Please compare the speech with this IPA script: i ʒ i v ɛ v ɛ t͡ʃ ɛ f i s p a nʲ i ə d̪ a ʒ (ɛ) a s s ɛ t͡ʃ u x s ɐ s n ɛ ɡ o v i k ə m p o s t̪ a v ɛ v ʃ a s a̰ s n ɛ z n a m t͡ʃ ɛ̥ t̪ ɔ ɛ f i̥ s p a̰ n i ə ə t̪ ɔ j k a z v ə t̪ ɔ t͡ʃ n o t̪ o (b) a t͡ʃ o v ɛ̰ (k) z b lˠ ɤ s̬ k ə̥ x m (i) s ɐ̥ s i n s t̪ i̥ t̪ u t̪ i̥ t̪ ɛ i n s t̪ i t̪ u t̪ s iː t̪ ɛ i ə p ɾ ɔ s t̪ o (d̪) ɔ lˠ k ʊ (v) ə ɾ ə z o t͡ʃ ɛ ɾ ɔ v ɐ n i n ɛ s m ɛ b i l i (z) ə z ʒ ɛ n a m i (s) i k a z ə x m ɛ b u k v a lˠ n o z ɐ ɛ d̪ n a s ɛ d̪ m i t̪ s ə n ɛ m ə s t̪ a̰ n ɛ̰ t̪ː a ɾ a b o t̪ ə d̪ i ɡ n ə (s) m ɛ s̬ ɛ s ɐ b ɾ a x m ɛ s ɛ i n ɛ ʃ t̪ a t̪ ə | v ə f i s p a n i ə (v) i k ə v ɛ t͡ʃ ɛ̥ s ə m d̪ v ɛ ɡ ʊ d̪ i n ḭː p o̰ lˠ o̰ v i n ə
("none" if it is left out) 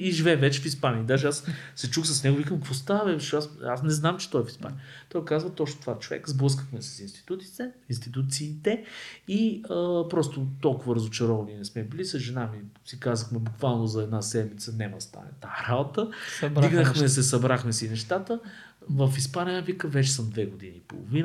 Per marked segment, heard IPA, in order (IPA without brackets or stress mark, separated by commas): ɛ, v, k, ɛ, t̪, v, s, s, x, v